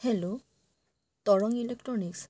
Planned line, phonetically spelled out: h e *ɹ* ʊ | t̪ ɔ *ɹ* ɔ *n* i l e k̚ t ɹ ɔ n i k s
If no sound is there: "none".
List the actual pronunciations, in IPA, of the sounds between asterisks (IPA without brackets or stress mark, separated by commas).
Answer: l, ɹ, ŋ